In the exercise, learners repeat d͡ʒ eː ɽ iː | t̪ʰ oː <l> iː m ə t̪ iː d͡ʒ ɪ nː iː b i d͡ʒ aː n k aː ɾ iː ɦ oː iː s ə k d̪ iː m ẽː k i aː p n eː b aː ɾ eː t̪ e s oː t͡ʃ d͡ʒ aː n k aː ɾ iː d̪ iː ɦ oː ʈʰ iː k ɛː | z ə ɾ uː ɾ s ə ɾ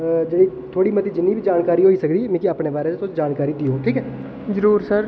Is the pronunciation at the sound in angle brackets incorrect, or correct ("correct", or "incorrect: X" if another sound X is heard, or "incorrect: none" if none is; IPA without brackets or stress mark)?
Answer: incorrect: ɽ